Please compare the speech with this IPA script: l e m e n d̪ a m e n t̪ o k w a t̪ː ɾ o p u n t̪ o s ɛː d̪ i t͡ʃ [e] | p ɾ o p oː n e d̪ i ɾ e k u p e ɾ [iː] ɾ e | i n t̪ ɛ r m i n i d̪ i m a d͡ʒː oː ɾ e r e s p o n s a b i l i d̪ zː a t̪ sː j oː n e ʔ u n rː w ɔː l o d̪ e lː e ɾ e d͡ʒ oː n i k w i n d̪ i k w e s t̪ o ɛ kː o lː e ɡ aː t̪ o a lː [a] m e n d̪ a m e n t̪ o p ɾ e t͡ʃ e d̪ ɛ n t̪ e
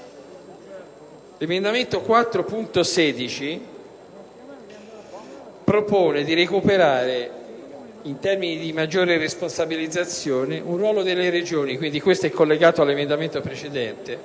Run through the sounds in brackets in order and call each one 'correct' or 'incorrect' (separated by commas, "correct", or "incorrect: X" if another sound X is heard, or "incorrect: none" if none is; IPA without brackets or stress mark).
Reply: incorrect: i, incorrect: aː, incorrect: e